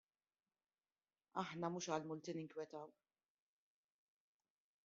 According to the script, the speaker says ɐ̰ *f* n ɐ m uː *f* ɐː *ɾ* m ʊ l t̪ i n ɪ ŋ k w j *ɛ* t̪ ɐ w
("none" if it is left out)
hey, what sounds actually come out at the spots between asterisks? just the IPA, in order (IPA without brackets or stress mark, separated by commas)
ħ, ʃ, l, ɛ